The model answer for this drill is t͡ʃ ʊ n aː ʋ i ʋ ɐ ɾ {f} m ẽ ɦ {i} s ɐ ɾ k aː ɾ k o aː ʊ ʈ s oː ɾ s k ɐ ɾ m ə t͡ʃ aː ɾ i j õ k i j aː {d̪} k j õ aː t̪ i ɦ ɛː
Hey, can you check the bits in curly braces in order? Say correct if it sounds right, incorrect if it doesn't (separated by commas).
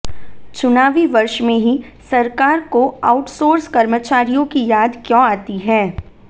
incorrect, correct, correct